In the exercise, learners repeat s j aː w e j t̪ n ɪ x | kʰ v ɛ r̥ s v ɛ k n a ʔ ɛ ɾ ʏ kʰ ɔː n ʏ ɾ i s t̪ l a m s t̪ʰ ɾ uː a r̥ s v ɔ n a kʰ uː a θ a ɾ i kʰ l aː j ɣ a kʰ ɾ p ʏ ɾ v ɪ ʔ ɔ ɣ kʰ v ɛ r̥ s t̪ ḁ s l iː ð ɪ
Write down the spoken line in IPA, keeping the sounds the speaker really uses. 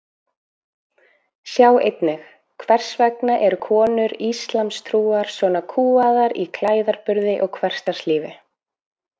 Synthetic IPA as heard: s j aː w e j t̪ n ɪ x | kʰ v ɛ r̥ s v ɛ k n a ʔ ɛ ɾ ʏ kʰ ɔː n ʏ ɾ i s t̪ l a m s t̪ʰ ɾ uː a ɾ̥ s v ɔ n a kʰ uː a ð a ɾ i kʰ l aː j ð a ɾ p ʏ ɾ ð ɪ ʔ ɔ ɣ kʰ v ɛ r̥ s t̪ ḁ s l iː v ɪ